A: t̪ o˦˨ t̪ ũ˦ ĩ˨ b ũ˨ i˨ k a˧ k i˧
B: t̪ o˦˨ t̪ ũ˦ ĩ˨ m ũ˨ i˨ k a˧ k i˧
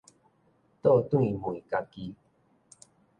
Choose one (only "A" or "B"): B